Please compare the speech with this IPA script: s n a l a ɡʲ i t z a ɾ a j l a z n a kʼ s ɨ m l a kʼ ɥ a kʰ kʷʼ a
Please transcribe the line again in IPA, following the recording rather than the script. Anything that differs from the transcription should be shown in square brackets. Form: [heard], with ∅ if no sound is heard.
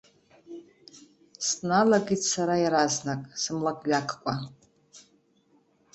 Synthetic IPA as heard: s n a l a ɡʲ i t [s] a ɾ a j [ɾ] a z n a kʼ s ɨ m l a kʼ ɥ a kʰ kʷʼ a